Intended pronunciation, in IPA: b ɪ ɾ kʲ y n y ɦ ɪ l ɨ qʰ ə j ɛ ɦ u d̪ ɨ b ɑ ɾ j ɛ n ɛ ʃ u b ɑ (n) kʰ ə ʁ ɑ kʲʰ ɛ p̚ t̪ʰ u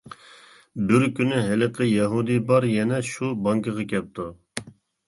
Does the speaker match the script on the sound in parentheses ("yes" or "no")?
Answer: no